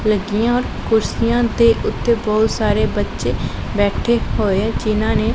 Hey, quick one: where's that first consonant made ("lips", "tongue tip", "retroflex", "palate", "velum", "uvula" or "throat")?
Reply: tongue tip